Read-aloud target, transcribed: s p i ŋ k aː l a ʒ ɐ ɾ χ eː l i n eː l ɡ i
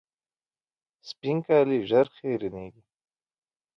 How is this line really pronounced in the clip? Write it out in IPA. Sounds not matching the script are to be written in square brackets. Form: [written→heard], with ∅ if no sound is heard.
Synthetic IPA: s p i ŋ k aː l [a→i] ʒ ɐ ɾ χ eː [l→ɾ] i n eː [l→∅] ɡ i